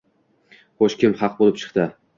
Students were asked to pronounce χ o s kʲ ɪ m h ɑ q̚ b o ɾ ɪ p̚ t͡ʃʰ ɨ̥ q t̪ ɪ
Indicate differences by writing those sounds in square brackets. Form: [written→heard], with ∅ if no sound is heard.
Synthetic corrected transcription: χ o [s→ʃ] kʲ ɪ m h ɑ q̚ b o [ɾ→l] ɪ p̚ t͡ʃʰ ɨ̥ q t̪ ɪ